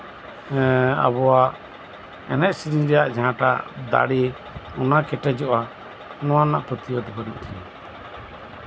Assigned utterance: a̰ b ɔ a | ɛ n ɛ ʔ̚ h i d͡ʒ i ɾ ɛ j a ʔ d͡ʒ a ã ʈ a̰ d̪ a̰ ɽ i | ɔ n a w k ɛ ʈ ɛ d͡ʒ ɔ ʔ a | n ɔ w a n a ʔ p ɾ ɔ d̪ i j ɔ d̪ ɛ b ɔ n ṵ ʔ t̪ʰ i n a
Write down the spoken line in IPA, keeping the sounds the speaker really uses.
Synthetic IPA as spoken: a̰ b ɔ a | ɛ n ɛ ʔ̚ s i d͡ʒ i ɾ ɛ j a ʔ d͡ʒ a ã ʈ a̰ d̪ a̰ ɽ i | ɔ n a k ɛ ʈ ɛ d͡ʒ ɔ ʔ a | n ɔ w a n a ʔ p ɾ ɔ t̪ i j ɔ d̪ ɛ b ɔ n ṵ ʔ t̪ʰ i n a